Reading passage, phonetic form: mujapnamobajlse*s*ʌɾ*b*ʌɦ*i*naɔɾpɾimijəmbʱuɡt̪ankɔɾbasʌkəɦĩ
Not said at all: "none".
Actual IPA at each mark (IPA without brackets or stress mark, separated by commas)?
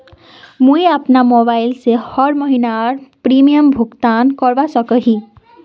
h, m, i